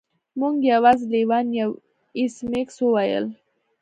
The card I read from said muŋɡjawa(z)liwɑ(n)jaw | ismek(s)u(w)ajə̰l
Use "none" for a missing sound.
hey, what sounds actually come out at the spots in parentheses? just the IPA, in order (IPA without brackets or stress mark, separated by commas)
z, n, s, w